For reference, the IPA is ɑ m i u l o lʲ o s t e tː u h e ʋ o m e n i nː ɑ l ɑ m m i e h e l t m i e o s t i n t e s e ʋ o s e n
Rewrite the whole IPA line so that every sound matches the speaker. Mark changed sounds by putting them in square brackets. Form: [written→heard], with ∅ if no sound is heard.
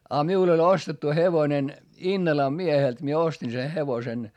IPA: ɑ m i u l o lʲ o s t e tː u h e ʋ o [m→n] e n i nː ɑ l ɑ m m i e h e l t m i e o s t i n [t→s] e [s→h] e ʋ o s e n